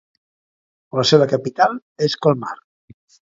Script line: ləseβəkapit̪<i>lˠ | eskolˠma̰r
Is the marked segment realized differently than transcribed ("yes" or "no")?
yes